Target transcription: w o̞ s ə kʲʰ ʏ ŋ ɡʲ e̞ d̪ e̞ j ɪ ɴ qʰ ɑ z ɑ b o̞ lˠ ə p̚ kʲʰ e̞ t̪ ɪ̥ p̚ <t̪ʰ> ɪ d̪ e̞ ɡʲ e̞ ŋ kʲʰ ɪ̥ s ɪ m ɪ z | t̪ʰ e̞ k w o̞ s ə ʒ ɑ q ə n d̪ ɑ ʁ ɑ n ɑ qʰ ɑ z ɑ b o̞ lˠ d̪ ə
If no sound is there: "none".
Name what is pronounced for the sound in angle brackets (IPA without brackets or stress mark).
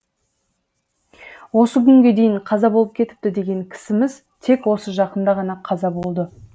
t̪